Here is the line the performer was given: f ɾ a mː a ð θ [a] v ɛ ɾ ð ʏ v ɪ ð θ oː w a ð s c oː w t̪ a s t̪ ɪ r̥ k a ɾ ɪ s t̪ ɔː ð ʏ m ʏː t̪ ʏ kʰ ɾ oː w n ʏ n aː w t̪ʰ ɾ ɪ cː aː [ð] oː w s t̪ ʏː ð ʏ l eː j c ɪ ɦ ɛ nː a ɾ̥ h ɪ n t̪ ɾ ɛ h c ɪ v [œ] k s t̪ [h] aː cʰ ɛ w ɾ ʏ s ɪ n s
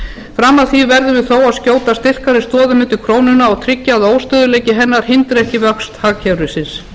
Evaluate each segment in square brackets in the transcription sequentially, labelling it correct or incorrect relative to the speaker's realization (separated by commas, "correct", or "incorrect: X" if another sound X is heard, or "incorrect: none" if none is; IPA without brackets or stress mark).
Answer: incorrect: i, correct, correct, correct